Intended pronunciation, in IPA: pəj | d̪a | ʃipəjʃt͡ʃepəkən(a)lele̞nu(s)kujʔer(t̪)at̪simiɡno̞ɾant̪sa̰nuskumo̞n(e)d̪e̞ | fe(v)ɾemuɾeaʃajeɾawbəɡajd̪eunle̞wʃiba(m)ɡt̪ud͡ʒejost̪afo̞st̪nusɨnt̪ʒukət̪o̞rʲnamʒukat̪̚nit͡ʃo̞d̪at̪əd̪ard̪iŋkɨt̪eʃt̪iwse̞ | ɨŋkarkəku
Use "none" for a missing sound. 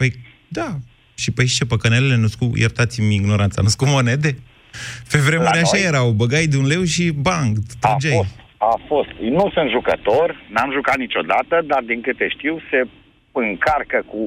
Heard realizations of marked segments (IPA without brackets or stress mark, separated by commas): e, s, t̪, e, v, ŋ